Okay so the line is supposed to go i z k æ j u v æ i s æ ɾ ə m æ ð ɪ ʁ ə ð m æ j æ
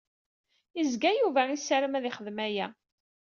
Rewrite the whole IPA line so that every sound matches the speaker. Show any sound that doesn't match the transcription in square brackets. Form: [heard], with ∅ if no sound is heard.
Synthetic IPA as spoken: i z [ɡ] æ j u v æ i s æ ɾ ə m æ ð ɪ [χ] ə ð m æ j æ